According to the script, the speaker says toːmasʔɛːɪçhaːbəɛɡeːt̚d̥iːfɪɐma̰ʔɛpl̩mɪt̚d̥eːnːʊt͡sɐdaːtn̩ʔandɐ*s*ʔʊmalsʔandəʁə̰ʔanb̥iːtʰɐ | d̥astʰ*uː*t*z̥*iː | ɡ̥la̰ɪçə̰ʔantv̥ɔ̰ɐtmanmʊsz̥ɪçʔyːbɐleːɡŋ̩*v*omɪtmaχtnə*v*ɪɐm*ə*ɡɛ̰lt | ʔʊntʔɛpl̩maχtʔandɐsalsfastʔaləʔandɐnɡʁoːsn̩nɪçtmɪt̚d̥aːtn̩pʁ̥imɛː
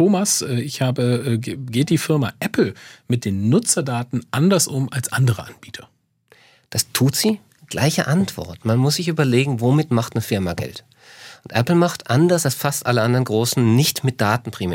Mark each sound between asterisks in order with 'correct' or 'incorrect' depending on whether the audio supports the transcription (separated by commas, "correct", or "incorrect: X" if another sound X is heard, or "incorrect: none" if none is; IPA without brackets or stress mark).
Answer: correct, correct, correct, correct, incorrect: f, incorrect: a